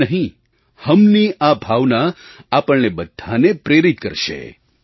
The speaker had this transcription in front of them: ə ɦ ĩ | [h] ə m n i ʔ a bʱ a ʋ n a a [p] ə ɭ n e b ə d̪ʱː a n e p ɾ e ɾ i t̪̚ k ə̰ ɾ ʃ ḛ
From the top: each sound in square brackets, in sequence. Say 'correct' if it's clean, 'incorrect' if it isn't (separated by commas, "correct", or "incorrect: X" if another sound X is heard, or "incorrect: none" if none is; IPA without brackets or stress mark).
correct, correct